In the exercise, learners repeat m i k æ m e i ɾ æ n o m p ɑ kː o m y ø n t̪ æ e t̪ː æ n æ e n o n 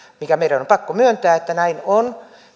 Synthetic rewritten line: m i k æ m e i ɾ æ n o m p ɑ kː o m y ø n t̪ æː e t̪ː æ n æ i n o n